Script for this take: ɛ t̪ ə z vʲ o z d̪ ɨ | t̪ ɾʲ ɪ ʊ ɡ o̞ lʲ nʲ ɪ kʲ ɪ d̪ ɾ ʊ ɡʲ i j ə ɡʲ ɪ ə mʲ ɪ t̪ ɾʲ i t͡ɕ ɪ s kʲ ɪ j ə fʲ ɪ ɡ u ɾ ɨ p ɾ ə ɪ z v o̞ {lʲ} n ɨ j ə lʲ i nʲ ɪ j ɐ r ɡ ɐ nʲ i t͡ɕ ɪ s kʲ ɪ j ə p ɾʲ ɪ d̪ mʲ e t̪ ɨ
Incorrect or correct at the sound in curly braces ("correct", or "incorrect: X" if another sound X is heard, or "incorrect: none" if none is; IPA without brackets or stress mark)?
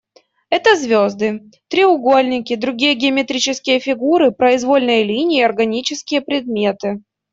correct